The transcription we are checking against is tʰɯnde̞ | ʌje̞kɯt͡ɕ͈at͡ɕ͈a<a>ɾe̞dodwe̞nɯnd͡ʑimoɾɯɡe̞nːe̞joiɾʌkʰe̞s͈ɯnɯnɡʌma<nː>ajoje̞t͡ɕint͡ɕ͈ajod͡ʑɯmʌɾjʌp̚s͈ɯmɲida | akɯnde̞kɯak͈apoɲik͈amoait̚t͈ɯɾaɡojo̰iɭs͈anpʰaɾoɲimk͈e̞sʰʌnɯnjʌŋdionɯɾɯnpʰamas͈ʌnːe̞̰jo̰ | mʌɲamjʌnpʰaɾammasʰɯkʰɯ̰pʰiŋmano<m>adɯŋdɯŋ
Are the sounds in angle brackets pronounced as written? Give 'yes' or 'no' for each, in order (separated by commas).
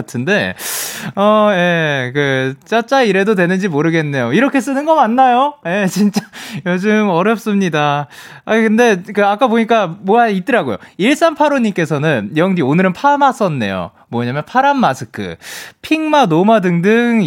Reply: no, yes, yes